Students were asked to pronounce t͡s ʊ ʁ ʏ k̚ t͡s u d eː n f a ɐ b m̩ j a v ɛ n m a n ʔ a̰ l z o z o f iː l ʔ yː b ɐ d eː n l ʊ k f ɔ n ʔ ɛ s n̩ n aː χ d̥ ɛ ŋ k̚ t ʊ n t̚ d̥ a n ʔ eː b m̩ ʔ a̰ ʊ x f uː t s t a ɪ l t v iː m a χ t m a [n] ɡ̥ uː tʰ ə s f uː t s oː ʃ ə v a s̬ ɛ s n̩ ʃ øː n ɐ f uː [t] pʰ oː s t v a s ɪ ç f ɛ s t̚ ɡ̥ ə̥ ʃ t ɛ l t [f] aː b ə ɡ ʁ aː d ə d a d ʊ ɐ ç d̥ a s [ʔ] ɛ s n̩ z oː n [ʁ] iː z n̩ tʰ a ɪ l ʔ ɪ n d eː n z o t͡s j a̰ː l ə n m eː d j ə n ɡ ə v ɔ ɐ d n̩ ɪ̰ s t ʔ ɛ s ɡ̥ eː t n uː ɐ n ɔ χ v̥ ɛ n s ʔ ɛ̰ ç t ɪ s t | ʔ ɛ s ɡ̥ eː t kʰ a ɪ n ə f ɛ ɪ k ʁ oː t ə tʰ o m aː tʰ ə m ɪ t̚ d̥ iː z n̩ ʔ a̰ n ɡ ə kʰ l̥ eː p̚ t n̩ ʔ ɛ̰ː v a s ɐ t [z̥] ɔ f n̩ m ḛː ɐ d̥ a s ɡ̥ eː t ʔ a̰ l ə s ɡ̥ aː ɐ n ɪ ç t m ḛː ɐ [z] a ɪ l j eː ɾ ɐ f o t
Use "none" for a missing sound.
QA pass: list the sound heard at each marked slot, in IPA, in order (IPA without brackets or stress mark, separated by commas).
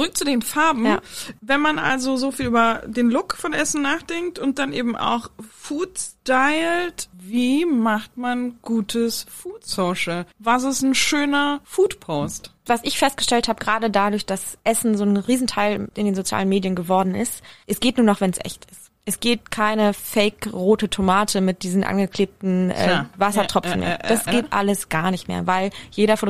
n, t, h, ʔ, ʁ, ʁ̥, v